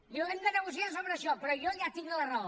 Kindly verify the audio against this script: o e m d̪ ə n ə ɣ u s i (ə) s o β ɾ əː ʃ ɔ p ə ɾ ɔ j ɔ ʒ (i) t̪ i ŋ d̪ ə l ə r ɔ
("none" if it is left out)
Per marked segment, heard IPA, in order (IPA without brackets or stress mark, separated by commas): a, a